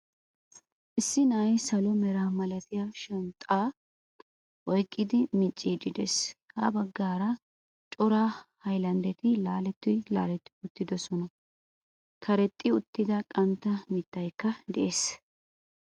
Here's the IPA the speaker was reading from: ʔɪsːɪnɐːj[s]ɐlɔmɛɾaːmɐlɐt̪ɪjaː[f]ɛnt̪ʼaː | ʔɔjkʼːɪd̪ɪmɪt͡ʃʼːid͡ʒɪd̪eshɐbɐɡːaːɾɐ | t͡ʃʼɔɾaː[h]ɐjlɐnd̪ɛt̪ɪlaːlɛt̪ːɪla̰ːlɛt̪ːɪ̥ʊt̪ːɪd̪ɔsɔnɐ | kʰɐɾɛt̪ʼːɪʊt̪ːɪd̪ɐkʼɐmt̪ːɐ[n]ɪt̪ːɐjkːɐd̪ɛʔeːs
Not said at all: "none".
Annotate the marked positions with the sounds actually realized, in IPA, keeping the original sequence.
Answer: s, ʃ, h, m

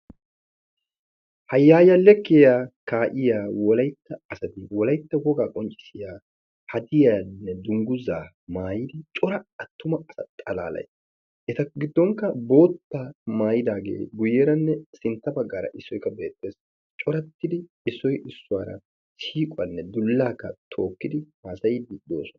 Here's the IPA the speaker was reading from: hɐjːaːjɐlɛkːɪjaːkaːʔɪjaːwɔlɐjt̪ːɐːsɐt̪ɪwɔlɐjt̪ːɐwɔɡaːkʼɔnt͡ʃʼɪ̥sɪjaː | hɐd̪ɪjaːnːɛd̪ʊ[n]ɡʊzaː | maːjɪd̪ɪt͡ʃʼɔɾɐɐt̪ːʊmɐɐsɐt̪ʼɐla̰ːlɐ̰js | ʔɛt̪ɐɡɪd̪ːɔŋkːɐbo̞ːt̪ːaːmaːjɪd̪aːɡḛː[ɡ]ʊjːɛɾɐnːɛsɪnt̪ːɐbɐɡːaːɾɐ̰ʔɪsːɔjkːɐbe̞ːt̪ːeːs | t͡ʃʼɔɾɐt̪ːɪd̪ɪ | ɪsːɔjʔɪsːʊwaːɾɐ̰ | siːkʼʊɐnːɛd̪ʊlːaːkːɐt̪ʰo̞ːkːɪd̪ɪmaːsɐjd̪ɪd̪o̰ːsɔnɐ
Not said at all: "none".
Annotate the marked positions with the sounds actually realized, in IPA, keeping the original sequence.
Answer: ŋ, ɡ

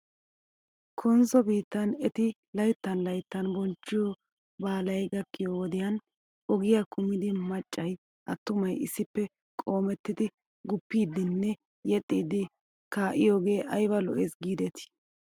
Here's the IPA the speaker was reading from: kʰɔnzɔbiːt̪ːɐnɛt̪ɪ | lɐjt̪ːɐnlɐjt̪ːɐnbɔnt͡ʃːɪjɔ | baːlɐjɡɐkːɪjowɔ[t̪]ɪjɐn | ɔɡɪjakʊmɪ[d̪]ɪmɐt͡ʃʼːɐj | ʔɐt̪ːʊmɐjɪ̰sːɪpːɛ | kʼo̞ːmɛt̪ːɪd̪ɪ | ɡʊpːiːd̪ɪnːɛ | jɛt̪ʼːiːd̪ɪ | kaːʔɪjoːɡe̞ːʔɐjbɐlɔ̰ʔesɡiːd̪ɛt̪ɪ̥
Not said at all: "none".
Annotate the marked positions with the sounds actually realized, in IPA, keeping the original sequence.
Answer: d̪, d̪

